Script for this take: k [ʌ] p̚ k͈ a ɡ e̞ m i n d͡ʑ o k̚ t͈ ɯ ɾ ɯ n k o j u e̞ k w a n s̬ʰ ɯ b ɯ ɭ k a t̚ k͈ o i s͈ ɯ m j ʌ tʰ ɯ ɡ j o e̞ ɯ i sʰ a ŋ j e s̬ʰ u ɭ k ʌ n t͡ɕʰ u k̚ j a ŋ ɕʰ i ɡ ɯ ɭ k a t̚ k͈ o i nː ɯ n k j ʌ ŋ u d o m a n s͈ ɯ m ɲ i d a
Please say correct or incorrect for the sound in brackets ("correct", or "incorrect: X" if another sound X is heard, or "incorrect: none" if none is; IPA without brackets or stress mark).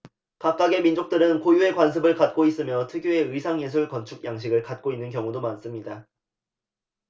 incorrect: a